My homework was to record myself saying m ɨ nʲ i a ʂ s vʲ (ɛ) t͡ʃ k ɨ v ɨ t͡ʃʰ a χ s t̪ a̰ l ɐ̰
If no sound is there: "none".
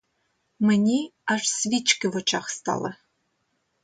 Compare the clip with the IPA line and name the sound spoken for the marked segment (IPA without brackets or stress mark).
i